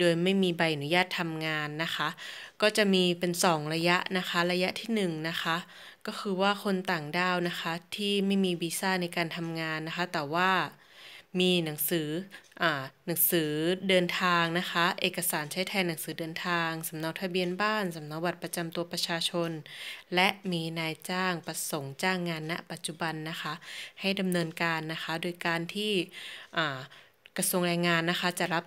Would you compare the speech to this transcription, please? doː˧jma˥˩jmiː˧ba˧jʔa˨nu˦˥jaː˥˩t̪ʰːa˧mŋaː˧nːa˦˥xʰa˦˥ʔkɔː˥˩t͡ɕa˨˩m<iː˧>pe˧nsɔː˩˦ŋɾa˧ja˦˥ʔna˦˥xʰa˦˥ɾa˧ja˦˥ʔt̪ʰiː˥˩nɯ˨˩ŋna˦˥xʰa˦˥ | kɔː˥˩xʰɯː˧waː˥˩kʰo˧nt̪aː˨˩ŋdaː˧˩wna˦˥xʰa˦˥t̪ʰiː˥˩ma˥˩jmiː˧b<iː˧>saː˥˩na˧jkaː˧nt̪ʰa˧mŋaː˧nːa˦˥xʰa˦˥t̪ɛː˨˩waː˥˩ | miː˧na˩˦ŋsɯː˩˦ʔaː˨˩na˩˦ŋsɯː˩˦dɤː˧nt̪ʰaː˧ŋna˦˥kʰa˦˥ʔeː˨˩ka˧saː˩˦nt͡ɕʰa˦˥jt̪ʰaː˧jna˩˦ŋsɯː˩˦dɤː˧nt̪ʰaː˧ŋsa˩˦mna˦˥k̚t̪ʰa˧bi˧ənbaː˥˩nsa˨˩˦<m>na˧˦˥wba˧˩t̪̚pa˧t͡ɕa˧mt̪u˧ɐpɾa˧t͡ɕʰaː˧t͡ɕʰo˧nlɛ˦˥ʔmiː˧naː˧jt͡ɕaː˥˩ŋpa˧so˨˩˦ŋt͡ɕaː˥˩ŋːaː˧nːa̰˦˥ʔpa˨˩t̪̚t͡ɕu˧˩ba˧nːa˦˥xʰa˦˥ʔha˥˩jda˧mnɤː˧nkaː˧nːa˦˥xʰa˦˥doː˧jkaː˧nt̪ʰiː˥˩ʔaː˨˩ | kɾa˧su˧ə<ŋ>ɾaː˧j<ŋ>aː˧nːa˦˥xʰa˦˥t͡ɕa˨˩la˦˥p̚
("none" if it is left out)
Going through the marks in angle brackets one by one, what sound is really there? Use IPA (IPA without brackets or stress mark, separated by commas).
iː˧, iː˧, m, ŋ, ŋ